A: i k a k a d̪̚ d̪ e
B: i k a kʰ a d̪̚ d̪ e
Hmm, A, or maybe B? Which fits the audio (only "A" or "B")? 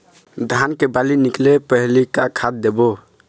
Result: B